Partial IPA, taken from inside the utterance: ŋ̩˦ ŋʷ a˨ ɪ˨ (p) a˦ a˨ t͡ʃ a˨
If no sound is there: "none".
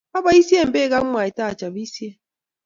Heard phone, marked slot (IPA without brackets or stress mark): t